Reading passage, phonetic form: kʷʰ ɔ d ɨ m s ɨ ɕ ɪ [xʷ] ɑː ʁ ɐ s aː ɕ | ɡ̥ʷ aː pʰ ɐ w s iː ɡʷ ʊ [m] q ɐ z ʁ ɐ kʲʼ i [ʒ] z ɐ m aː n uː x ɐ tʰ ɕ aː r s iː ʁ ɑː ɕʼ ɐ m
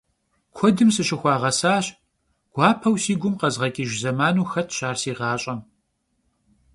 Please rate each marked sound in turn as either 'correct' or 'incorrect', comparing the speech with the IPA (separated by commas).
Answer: correct, correct, correct